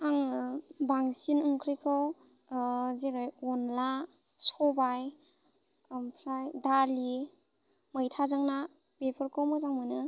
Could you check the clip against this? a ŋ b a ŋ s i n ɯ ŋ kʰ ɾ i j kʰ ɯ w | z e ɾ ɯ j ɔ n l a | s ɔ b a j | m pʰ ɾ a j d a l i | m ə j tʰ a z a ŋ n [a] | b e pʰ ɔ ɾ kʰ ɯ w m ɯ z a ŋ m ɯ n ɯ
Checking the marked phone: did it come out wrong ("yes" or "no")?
no